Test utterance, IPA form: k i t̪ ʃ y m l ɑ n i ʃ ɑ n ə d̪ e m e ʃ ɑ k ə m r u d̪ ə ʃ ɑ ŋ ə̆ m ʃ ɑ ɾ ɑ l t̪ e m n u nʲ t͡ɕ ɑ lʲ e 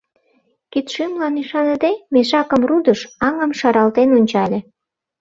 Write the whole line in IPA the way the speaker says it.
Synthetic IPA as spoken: k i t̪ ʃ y m l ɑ n i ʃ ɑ n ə d̪ e m e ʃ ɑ k ə m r u d̪ ə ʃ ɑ ŋ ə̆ m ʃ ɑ ɾ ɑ l t̪ e n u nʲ t͡ɕ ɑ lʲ e